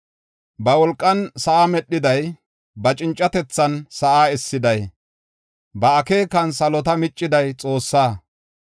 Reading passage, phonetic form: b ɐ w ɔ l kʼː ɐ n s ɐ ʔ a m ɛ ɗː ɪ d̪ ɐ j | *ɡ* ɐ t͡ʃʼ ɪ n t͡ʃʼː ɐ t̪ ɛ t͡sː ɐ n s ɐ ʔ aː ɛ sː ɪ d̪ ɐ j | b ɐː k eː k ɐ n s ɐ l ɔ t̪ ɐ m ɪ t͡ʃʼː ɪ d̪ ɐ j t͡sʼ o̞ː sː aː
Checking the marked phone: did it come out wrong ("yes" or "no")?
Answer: yes